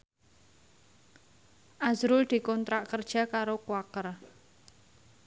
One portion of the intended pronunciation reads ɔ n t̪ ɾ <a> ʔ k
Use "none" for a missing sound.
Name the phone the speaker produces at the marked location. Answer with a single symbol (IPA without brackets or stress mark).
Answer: a